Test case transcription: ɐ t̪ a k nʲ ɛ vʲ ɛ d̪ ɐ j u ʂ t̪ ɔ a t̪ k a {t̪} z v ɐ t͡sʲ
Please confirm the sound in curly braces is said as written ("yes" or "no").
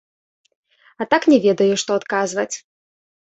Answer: no